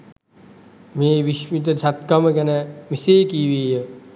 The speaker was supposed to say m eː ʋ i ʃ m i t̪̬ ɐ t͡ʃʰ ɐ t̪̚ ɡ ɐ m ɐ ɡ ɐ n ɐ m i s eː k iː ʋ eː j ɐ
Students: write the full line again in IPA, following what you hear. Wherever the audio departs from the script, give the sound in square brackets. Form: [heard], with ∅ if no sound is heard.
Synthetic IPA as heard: m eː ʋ i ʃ m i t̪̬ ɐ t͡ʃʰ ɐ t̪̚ [k] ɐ m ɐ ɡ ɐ n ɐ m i s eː k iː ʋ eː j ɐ